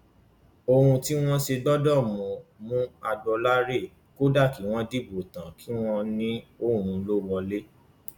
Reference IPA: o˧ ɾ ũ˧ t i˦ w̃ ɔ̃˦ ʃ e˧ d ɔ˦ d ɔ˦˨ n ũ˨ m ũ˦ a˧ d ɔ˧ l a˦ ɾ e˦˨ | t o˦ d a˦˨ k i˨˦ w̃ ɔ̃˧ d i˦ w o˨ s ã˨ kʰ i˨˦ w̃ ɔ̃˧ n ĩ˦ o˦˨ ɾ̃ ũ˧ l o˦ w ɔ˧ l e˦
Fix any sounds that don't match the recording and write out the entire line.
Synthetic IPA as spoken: o˧ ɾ ũ˧ t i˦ w̃ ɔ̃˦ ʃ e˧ d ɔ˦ d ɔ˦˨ m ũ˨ m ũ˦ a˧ d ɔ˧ l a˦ ɾ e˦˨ | k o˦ d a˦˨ k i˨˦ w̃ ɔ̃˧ d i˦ b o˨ t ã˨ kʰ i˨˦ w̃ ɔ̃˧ n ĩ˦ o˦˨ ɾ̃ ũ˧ l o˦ w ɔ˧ l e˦